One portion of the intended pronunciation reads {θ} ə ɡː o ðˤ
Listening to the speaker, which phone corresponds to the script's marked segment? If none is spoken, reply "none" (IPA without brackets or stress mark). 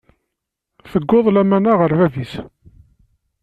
θ